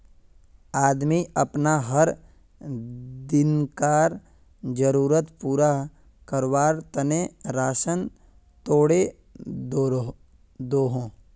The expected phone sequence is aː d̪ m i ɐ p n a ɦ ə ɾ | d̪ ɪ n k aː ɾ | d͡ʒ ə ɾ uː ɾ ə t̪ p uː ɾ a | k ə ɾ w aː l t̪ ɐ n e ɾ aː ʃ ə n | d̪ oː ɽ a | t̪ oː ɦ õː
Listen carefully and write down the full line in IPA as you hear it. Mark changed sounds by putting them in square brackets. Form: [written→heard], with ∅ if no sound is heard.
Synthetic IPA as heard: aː d̪ m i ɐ p n a ɦ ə ɾ | d̪ ɪ n k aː ɾ | d͡ʒ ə ɾ uː ɾ ə t̪ p uː ɾ a | k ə ɾ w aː [l→ɾ] t̪ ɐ n e ɾ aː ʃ ə n | [d̪→t̪] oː ɽ [a→e] | [t̪→d̪] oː ɦ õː

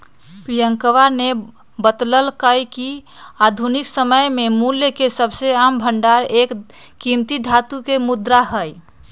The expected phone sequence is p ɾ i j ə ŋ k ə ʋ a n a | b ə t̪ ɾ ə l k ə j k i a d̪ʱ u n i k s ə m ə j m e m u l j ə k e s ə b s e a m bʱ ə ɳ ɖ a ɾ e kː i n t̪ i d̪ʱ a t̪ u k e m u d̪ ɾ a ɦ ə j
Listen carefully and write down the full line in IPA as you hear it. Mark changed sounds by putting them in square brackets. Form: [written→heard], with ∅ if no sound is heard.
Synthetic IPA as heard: p ɾ i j ə ŋ k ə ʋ a n [a→e] | b ə t̪ [ɾ→l] ə l k ə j k i a d̪ʱ u n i k s ə m ə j m e m u l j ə k e s ə b s e a m bʱ ə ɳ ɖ a ɾ e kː i [n→m] t̪ i d̪ʱ a t̪ u k e m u d̪ ɾ a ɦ ə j

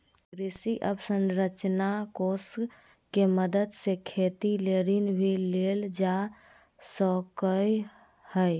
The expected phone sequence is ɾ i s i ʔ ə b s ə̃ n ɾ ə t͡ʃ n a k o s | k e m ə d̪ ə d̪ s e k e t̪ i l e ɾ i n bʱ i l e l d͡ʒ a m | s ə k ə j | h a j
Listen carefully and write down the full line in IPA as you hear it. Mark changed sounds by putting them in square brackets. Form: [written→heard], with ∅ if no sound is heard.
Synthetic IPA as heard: ɾ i s i ʔ ə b s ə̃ n ɾ ə t͡ʃ n a k o s | k e m ə d̪ ə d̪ s e [k→kʰ] e t̪ i l e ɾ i n bʱ i l e l d͡ʒ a [m→∅] | s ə k ə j | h [a→ə] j

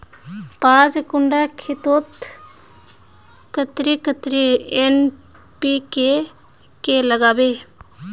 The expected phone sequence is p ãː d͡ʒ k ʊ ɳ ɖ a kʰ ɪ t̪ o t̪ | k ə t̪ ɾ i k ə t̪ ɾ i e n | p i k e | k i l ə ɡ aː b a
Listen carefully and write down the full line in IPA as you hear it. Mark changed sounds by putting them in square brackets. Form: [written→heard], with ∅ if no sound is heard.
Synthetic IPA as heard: p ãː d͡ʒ k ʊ ɳ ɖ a kʰ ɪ t̪ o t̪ | k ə t̪ ɾ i k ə t̪ ɾ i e n | p i k e | k [i→e] l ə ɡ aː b [a→e]

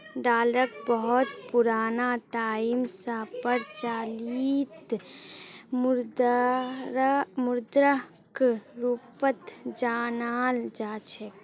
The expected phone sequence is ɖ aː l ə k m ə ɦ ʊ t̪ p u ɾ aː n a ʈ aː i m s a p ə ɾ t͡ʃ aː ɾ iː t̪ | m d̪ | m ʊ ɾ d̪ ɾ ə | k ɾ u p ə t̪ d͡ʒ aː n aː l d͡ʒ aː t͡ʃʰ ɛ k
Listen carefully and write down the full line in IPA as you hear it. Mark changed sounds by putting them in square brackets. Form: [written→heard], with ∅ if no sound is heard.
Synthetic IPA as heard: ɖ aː l ə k [m→b] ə ɦ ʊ t̪ p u ɾ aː n a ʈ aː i m s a p ə ɾ t͡ʃ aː [ɾ→l] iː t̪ | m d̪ | m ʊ ɾ d̪ ɾ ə | k ɾ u p ə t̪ d͡ʒ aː n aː l d͡ʒ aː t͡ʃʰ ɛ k

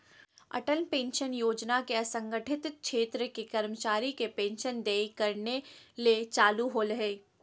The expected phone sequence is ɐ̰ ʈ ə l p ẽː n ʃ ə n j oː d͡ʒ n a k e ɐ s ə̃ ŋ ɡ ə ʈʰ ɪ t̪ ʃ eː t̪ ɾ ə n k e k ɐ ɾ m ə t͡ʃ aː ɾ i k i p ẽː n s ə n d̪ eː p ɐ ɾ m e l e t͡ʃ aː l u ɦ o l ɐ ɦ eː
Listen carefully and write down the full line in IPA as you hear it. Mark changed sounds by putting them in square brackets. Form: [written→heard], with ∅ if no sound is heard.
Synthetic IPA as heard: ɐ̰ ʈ ə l p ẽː n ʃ ə n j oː d͡ʒ n a k e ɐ s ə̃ ŋ ɡ ə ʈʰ ɪ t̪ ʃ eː t̪ ɾ ə [n→∅] k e k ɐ ɾ m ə t͡ʃ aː ɾ i k [i→e] p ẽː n [s→ʃ] ə n d̪ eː [p→k] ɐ ɾ [m→n] e l e t͡ʃ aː l u ɦ o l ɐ ɦ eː

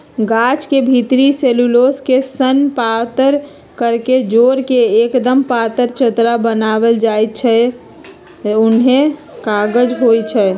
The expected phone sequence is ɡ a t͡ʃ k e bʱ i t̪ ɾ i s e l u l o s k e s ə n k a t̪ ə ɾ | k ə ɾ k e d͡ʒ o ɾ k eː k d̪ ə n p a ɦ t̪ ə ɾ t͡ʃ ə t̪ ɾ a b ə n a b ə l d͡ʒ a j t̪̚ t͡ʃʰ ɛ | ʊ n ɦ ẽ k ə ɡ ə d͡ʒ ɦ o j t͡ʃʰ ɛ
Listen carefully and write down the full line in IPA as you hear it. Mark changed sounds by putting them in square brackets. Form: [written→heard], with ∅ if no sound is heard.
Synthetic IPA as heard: ɡ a t͡ʃ k e bʱ i t̪ ɾ i s e l u l o s k e s ə n [k→p] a t̪ ə ɾ | k ə ɾ k e d͡ʒ o ɾ k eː k d̪ ə [n→m] p a [ɦ→∅] t̪ ə ɾ t͡ʃ ə t̪ ɾ a b ə n a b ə l d͡ʒ a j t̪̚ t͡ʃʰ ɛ | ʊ n ɦ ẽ k [ə→a] ɡ ə d͡ʒ ɦ o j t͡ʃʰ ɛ

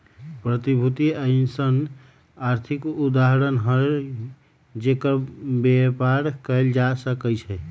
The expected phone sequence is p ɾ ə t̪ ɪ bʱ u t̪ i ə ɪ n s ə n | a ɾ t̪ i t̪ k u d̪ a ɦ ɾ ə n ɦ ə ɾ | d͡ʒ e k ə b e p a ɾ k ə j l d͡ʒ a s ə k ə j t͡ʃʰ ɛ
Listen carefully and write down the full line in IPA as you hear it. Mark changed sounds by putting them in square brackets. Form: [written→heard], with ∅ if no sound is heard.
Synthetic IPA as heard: p ɾ ə t̪ [ɪ→i] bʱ u t̪ i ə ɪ n s ə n | a ɾ [t̪→t̪ʰ] i [t̪→∅] k u d̪ a ɦ ɾ ə n ɦ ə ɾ | d͡ʒ e k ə b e p a ɾ k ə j l d͡ʒ a s ə k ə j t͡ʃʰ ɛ

